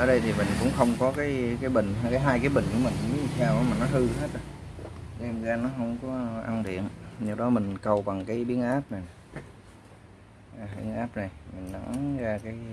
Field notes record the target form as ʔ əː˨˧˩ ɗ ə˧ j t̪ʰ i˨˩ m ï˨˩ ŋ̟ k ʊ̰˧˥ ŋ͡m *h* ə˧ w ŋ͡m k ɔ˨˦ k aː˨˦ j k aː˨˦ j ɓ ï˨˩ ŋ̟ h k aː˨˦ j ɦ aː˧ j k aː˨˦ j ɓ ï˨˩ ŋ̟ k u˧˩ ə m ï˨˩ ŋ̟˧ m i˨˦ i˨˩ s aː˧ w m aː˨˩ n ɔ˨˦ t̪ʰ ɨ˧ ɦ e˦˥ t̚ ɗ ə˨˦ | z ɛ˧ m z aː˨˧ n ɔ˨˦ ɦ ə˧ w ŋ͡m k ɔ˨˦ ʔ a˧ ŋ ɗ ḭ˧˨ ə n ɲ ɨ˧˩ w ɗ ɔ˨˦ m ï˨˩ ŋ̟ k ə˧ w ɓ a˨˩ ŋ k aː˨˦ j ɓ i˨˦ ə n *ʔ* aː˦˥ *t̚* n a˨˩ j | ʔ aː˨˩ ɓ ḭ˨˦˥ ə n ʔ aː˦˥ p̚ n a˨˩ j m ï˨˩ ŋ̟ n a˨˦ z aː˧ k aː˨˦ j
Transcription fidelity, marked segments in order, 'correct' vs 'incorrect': incorrect: x, correct, incorrect: p̚

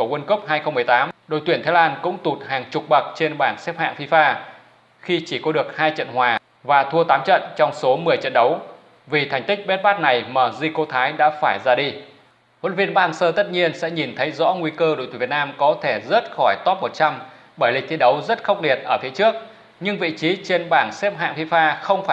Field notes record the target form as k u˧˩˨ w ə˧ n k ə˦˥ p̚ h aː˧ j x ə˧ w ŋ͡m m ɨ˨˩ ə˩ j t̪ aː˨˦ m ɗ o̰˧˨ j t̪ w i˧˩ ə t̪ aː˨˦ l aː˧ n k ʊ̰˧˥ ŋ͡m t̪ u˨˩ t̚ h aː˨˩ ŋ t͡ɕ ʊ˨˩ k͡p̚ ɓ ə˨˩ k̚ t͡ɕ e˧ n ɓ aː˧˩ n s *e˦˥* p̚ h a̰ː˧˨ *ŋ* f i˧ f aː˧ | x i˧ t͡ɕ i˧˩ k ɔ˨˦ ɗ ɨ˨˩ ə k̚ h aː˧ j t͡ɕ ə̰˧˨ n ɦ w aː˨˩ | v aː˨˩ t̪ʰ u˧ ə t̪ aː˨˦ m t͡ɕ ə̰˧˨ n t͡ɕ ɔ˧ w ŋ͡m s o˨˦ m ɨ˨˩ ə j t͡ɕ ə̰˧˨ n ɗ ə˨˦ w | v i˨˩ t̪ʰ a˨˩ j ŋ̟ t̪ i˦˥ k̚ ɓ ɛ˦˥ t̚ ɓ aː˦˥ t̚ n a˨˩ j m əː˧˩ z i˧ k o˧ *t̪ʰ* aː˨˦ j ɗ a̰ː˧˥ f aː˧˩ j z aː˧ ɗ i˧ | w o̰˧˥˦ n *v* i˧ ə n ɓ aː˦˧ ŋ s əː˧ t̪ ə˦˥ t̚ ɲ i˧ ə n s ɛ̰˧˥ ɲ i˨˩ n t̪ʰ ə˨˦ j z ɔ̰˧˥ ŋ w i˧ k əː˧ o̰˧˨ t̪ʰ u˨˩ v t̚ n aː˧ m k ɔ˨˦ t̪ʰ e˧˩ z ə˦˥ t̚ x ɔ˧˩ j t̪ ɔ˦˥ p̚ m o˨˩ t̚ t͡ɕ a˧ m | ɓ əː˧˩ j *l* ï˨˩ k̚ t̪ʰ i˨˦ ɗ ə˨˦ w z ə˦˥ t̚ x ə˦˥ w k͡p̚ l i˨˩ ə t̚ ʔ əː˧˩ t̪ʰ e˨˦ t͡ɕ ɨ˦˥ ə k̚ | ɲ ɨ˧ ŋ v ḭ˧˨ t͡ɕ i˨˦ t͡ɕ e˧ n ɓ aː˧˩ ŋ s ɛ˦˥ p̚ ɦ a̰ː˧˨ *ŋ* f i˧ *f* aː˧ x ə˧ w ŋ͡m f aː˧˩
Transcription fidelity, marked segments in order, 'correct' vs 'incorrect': incorrect: ɛ˦˥, correct, correct, correct, correct, correct, correct

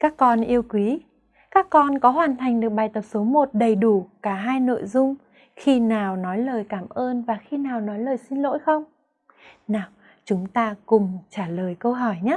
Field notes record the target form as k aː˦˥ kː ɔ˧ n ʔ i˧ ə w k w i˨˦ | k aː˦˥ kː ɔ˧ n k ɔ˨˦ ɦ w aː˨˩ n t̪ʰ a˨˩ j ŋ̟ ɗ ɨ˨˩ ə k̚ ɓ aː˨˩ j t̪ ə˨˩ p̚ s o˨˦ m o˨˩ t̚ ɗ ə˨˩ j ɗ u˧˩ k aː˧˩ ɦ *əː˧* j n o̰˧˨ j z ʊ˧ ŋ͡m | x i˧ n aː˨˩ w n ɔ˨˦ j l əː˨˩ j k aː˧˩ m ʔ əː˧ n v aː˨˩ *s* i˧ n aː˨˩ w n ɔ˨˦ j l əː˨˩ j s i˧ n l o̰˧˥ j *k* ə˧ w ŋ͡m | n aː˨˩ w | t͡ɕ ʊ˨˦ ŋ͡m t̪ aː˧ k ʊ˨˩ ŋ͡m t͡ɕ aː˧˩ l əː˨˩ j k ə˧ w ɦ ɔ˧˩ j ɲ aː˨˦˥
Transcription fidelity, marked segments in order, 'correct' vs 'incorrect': incorrect: aː˧, incorrect: x, incorrect: x

